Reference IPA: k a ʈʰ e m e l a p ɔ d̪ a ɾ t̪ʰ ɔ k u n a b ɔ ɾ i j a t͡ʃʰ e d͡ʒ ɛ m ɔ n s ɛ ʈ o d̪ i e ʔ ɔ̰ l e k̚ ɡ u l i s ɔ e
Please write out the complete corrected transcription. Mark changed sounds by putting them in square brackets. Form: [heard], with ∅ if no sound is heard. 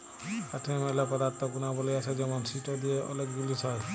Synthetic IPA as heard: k a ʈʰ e m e l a p ɔ d̪ a ɾ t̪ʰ ɔ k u n a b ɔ [l] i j a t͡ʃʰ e d͡ʒ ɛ m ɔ n s [i] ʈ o d̪ i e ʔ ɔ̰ l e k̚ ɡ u l i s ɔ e

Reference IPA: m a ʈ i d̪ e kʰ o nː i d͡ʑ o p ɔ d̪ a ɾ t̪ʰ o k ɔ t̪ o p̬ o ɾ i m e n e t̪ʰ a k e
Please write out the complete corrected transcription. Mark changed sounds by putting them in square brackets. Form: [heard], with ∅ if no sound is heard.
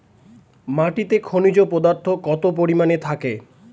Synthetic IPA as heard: m a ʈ i [t̪] e kʰ o [n] i d͡ʑ o p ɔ d̪ a ɾ t̪ʰ o k ɔ t̪ o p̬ o ɾ i m [a] n e t̪ʰ a k e

